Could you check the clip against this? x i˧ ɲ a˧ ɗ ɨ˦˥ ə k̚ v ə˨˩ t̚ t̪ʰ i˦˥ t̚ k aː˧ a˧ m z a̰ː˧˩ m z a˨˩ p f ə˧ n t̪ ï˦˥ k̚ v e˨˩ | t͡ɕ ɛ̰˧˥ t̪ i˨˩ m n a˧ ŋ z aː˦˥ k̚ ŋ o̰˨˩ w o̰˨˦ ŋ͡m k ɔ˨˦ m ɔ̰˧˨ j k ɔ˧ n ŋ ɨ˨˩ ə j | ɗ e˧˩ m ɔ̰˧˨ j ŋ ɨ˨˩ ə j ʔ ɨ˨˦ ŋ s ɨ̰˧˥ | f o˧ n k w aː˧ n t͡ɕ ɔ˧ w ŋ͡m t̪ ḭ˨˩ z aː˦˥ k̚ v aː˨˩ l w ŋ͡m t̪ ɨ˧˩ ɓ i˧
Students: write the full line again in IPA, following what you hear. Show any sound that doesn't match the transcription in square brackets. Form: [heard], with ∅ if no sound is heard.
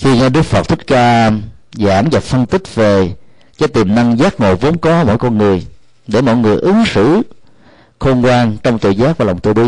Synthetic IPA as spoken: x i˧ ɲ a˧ ɗ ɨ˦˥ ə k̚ [f] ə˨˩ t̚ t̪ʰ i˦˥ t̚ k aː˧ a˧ m z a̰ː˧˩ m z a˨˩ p f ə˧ n t̪ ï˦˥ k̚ v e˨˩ | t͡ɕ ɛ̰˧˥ t̪ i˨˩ m n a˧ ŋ z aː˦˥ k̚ ŋ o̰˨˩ [v] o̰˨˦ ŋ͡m k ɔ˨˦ m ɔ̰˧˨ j k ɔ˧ n ŋ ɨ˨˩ ə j | ɗ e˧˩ m ɔ̰˧˨ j ŋ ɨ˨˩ ə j ʔ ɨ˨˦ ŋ s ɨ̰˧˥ | [x] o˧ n k w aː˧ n t͡ɕ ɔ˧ w ŋ͡m t̪ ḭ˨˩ z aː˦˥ k̚ v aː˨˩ l w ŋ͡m t̪ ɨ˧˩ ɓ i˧